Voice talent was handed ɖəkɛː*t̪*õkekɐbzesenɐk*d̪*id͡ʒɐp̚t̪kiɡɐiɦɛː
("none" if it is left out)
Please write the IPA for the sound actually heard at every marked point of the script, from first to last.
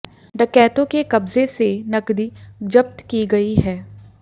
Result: t̪, d̪

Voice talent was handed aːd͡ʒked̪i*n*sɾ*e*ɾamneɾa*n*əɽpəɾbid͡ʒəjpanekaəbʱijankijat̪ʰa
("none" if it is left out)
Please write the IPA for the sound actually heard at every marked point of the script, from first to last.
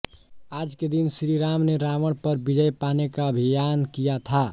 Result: n, i, m

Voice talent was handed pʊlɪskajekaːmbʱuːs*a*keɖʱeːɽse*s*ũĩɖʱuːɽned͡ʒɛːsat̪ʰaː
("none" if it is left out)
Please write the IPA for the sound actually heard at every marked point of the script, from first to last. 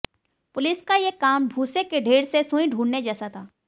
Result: e, s

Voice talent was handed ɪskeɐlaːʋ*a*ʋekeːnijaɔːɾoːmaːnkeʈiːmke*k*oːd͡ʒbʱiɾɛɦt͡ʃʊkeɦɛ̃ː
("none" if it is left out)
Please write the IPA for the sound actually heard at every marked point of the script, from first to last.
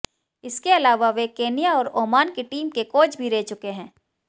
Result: a, k

